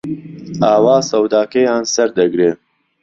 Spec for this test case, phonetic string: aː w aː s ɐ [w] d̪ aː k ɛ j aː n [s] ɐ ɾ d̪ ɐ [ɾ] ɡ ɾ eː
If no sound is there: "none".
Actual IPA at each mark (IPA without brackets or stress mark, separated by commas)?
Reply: w, s, none